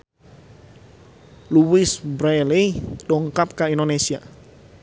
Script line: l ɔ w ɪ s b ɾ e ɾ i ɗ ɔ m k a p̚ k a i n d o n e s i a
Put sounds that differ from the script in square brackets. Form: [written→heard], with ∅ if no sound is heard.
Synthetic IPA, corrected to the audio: l [ɔ→u] w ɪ s b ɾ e [ɾ→l] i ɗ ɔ [m→ŋ] k a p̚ k a i n d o n e s i a